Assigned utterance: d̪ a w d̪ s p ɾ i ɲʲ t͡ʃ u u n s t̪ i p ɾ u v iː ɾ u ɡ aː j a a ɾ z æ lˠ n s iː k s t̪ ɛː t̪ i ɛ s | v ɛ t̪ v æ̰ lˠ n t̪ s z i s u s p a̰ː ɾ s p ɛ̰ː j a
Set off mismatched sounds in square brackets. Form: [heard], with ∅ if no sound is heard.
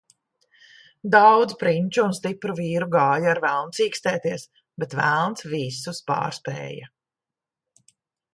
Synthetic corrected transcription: d̪ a w d̪ [z] p ɾ i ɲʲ t͡ʃ u u n s t̪ i p ɾ u v iː ɾ u ɡ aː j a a ɾ [v] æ lˠ n s iː k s t̪ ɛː t̪ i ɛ s | [b] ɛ t̪ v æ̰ lˠ n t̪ s [v] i s u s p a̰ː ɾ s p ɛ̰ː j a